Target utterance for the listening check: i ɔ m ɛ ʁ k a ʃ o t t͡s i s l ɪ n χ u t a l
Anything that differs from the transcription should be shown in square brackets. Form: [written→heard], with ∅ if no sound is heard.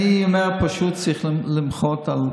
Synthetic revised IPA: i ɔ m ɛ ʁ [k→p] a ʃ [o→u] t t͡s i [s→χ] l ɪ [n→m] χ [u→ɔ] t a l